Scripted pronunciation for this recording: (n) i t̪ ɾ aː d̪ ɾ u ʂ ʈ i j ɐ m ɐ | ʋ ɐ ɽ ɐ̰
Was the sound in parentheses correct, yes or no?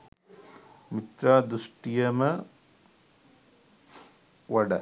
no